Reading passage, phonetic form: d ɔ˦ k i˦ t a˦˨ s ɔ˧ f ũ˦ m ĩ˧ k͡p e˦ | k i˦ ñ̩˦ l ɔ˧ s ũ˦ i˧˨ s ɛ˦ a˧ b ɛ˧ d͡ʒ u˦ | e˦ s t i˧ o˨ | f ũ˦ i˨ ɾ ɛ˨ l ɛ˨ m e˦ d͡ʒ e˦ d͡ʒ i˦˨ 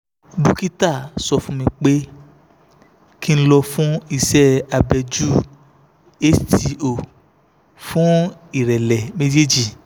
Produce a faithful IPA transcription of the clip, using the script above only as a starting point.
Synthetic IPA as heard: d u˦ k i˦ t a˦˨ s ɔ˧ f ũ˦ m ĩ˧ k͡p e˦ | k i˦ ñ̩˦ l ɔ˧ f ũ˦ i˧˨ s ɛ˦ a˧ b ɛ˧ d͡ʒ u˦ | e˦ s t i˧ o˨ | f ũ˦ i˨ ɾ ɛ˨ l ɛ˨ m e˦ d͡ʒ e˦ d͡ʒ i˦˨